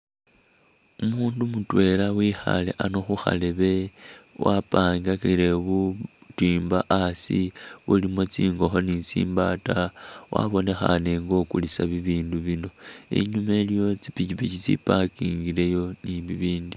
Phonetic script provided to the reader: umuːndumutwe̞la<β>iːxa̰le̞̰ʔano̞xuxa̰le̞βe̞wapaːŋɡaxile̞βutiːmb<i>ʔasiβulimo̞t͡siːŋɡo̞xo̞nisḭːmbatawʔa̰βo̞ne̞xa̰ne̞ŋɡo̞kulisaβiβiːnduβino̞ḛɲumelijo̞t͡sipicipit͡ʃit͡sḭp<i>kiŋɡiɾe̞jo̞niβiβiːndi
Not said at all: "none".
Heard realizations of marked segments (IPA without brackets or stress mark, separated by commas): w, a, a